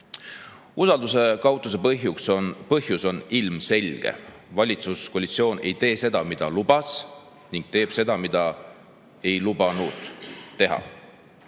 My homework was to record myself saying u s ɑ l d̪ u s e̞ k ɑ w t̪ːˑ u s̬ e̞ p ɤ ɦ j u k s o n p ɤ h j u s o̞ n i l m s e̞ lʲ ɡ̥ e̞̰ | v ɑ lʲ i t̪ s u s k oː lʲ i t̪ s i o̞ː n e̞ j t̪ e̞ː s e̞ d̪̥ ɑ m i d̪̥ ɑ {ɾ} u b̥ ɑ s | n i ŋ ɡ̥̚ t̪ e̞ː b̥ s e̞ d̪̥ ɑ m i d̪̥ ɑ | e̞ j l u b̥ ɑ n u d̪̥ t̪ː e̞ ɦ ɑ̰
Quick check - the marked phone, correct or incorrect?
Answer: incorrect